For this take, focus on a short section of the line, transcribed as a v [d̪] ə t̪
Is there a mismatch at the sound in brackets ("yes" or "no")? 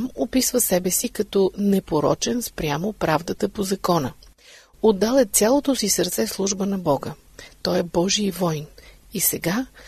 no